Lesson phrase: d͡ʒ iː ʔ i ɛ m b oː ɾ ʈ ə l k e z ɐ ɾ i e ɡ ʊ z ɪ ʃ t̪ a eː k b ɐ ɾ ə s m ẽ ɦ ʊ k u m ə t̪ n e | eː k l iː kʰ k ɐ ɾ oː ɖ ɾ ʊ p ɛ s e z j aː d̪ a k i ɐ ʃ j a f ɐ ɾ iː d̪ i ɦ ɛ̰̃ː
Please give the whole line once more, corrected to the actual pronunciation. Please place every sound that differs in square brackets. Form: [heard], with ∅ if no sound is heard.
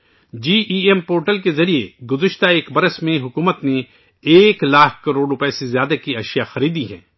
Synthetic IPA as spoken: d͡ʒ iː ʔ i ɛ m [p] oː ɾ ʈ ə l k e z ɐ ɾ i e ɡ ʊ z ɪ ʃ t̪ a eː k b ɐ ɾ ə s m ẽ ɦ ʊ k [uː] m ə t̪ n e | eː k l [aː] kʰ k ɐ ɾ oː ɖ ɾ ʊ p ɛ s e z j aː d̪ a k i ɐ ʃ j a [x] ɐ ɾ iː d̪ i ɦ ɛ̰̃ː